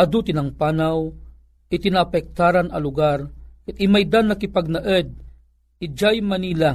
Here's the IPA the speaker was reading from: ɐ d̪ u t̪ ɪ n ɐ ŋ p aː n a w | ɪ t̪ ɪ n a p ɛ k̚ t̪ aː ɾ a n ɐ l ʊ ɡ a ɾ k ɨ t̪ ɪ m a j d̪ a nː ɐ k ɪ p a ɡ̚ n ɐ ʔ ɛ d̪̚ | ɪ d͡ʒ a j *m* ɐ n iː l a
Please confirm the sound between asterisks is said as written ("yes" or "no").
yes